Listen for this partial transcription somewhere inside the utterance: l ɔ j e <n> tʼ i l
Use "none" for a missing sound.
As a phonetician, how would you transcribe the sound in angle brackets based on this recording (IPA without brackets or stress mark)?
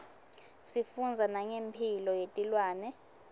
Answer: none